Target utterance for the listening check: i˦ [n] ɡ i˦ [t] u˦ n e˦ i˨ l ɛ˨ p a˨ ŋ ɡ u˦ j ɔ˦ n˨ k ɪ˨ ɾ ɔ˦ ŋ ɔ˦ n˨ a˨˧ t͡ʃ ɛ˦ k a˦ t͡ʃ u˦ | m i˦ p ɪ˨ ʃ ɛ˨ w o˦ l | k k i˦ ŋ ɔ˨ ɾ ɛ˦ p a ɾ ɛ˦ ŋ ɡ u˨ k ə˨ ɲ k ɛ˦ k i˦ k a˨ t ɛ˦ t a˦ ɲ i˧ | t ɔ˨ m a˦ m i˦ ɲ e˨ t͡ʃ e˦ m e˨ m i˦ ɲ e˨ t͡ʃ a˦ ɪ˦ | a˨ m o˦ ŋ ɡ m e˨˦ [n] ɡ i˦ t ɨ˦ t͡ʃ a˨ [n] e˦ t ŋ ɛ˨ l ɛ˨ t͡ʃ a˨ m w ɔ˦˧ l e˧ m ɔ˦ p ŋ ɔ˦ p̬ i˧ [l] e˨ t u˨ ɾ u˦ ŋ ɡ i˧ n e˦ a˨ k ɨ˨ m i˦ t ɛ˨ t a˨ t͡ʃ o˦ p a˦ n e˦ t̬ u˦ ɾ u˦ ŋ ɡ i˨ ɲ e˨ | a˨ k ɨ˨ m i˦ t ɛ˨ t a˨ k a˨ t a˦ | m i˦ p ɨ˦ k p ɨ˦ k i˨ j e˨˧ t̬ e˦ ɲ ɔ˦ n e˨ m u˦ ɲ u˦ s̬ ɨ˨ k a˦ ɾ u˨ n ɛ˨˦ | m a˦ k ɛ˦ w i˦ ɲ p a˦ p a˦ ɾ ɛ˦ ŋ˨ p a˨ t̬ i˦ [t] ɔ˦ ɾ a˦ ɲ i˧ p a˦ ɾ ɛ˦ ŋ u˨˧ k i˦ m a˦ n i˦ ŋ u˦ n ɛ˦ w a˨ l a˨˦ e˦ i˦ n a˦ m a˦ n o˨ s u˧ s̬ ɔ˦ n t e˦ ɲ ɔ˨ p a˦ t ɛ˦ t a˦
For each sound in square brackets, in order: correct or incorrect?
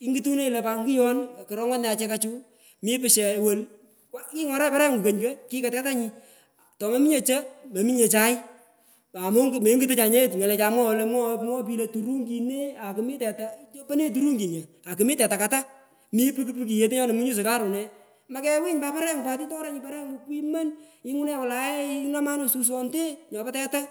incorrect, correct, incorrect, incorrect, correct, correct

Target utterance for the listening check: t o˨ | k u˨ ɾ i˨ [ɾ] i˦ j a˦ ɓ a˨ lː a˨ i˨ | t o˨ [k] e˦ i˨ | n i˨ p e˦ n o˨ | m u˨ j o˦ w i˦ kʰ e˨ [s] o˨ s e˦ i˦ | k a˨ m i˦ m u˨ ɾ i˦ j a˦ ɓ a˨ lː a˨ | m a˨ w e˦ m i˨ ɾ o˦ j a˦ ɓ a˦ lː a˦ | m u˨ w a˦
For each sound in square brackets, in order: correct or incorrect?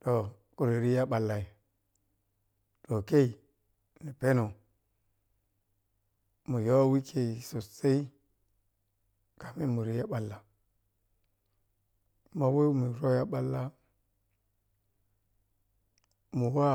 correct, correct, correct

